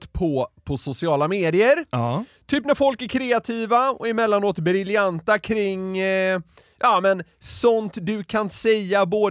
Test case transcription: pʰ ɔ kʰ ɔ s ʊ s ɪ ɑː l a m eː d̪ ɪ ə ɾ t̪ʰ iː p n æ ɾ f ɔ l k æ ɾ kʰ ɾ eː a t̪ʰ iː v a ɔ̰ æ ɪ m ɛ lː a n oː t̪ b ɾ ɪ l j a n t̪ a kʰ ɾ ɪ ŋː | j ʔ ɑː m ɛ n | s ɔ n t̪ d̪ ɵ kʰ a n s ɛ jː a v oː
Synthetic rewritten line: pʰ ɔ pʰ ɔ s ʊ s ɪ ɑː l a m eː d̪ ɪ ə ɾ t̪ʰ yː p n æ ɾ f ɔ l k æ ɾ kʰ ɾ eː a t̪ʰ iː v a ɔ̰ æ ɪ m ɛ lː a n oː t̪ b ɾ ɪ l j a n t̪ a kʰ ɾ ɪ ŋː | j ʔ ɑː m ɛ n | s ɔ n t̪ d̪ ɵ kʰ a n s ɛ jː a b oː